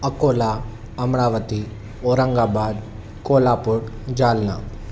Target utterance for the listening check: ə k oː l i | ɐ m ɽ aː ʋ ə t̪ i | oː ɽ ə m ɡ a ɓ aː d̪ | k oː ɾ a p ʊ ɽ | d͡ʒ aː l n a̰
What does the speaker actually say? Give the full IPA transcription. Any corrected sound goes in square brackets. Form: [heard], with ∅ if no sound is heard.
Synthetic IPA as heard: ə k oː l [a] | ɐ m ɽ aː ʋ ə t̪ i | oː [ɾ] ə [ŋ] ɡ a [b] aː d̪ | k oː [l] a p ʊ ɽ | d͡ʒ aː l n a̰